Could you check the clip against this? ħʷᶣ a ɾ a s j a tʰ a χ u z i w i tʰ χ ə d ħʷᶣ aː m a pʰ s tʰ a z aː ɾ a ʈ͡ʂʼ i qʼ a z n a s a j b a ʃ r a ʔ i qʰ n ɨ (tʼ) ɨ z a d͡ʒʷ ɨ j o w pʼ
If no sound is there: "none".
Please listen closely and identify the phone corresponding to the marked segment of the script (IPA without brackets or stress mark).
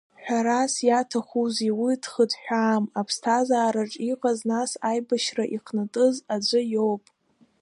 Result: tʼ